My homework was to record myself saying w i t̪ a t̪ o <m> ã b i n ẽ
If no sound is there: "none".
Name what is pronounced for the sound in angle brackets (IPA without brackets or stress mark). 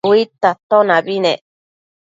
n